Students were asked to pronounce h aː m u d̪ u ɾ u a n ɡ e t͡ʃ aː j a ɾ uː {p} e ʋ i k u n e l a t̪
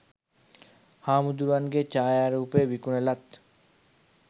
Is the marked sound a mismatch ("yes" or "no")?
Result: no